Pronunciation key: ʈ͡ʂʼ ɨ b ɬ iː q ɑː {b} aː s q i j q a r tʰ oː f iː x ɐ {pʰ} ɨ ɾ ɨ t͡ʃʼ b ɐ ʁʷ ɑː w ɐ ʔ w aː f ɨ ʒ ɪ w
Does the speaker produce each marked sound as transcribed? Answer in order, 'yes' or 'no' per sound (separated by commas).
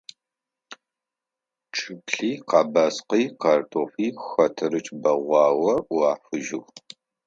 yes, no